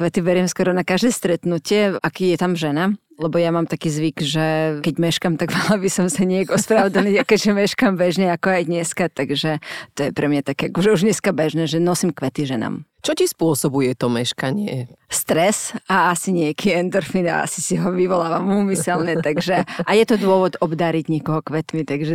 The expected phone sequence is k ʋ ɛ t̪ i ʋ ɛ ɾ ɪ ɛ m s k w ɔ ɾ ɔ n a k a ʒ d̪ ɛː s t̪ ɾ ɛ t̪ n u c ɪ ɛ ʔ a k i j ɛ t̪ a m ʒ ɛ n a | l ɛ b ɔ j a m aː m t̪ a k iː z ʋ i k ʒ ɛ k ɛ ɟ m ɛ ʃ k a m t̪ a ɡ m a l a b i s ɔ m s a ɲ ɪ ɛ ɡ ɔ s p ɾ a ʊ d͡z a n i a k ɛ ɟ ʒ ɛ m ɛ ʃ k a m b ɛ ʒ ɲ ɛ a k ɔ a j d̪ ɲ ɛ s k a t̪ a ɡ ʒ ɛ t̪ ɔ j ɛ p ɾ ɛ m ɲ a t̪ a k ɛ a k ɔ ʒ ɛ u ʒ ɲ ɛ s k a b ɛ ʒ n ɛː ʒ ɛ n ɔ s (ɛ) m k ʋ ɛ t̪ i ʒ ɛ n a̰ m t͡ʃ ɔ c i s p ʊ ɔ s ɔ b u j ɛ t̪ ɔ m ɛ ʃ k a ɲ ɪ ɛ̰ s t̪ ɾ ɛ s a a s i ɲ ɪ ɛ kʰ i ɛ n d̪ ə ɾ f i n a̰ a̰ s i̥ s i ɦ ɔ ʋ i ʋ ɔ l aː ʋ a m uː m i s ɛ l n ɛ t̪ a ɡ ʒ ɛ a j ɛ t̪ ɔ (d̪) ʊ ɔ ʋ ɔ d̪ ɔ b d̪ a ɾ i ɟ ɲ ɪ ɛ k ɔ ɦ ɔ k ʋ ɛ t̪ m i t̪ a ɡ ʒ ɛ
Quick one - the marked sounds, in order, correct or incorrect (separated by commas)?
incorrect, correct